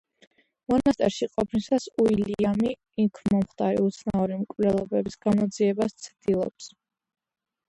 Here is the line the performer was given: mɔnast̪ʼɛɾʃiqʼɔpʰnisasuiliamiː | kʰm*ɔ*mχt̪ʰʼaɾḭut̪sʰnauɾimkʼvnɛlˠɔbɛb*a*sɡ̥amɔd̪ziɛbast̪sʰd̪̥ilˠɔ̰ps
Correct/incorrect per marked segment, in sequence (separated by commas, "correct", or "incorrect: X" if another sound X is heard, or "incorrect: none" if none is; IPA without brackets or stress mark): correct, incorrect: i